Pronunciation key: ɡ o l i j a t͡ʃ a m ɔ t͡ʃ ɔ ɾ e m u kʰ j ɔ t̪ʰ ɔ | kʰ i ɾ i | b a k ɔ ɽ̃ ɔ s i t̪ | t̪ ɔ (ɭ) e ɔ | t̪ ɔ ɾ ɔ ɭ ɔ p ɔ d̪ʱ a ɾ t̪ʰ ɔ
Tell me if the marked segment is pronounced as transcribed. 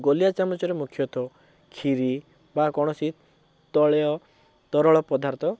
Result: yes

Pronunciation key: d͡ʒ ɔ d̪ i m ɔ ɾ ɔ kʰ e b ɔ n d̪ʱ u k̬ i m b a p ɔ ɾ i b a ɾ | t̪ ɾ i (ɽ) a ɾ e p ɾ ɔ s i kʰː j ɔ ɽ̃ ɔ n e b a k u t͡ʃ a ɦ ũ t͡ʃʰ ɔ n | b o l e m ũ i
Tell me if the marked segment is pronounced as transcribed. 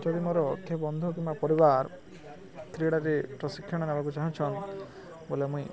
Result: yes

